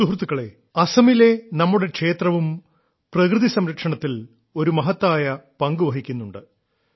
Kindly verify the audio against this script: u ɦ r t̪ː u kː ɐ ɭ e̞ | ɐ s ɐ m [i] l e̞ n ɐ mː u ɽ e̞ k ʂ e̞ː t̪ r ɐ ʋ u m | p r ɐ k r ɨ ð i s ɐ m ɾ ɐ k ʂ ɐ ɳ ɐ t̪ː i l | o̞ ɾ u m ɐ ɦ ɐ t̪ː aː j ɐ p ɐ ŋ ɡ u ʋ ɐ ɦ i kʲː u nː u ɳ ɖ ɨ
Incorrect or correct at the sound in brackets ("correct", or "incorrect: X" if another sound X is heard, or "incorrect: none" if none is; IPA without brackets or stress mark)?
correct